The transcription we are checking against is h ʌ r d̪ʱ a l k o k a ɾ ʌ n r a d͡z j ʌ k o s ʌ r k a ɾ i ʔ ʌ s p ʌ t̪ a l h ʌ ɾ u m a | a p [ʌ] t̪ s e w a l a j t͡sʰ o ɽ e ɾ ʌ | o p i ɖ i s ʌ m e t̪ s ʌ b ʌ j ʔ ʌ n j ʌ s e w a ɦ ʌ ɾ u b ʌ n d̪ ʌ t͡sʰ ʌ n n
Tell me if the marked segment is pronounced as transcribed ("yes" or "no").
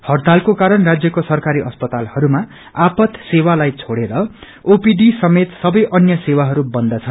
yes